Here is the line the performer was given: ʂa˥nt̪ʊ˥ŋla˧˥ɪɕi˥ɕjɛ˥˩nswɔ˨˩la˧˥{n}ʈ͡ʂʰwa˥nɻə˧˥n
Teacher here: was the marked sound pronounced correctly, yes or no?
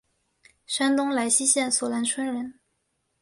yes